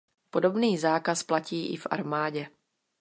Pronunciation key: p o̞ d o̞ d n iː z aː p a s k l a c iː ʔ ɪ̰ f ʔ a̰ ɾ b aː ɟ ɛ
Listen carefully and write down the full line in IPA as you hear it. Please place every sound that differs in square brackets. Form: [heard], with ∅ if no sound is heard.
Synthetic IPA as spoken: p o̞ d o̞ [b] n iː z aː [k] a s [p] l a c iː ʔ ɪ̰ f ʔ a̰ ɾ [m] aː ɟ ɛ